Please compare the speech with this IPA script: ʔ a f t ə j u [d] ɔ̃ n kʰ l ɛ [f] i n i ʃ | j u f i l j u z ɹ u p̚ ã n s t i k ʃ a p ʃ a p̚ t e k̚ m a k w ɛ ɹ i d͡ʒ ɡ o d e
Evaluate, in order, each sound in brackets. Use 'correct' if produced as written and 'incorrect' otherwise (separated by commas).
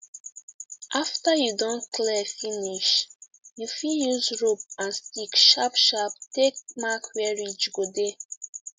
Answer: correct, correct